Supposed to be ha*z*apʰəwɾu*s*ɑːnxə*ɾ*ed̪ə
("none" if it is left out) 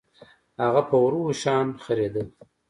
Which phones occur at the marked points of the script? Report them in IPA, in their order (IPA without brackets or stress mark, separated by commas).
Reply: ɣ, ʃ, ɾ